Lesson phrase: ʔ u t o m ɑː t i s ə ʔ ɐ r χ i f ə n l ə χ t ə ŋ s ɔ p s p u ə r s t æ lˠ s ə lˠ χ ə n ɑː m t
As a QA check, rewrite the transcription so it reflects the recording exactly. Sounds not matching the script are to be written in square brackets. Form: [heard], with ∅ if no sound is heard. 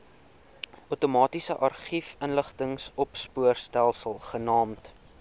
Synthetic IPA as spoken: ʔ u t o m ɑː t i s ə ʔ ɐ r χ i f ə n l ə χ t ə ŋ s ɔ p s p u ə r s t æ lˠ s ə lˠ χ ə n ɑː m t